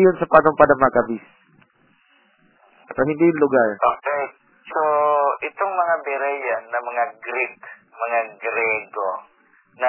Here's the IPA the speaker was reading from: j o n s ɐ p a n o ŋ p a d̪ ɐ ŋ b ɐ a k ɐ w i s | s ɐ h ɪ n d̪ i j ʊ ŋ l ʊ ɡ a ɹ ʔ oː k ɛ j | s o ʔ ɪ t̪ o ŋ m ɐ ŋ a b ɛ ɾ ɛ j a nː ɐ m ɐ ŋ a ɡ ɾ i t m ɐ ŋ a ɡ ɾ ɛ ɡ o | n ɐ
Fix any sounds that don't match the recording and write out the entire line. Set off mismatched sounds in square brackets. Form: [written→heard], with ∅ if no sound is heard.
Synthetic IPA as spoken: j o n s ɐ p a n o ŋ p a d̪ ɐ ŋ [b→m] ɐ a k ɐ [w→b] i s | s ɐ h ɪ n d̪ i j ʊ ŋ l ʊ ɡ a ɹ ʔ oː k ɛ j | s o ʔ ɪ t̪ o ŋ m ɐ ŋ a b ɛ ɾ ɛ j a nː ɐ m ɐ ŋ a ɡ ɾ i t m ɐ ŋ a ɡ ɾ ɛ ɡ o | n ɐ